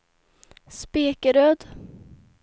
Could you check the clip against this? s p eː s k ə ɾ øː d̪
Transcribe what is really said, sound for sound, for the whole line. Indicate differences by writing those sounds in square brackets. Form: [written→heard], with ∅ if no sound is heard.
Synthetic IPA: s p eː [s→∅] k ə ɾ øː d̪